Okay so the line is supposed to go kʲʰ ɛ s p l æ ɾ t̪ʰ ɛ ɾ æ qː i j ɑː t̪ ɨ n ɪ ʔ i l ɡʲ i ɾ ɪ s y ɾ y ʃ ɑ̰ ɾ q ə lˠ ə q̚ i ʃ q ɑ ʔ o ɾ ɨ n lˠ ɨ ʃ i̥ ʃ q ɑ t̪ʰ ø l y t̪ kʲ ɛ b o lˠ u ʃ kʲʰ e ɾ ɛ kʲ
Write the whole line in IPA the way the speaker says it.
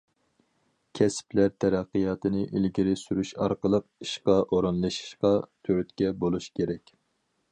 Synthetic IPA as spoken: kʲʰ ɛ s p l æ ɾ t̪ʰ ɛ ɾ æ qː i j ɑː t̪ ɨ n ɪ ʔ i l ɡʲ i ɾ ɪ s y ɾ y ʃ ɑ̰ ɾ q ə lˠ ə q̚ i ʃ q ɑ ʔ o ɾ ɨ n lˠ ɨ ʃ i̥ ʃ q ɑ t̪ʰ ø ɾ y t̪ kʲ ɛ b o lˠ u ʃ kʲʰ e ɾ ɛ kʲ